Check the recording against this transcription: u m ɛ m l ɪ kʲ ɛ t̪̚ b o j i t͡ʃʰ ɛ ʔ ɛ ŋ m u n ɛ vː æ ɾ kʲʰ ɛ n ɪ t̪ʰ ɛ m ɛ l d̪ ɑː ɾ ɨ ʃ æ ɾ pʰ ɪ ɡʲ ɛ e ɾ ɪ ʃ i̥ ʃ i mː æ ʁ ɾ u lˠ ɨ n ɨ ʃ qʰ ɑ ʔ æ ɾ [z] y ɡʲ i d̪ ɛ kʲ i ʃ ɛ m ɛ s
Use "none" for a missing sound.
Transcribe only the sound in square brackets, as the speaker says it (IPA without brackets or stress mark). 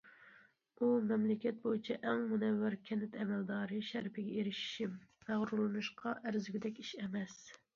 z